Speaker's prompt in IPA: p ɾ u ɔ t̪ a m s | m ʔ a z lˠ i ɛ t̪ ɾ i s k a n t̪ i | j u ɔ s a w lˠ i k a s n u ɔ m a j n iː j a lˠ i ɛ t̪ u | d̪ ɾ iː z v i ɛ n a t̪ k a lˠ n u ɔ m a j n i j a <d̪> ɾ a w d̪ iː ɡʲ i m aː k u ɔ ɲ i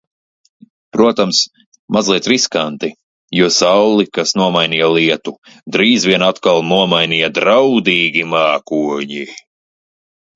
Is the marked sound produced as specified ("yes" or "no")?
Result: yes